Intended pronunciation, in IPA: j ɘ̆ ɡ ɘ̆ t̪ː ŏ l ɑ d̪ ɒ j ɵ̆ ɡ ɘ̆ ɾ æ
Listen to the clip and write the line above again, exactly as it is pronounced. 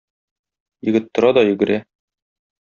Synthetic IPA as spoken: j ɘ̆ ɡ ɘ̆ t̪ː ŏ ɾ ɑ d̪ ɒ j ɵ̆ ɡ ɘ̆ ɾ æ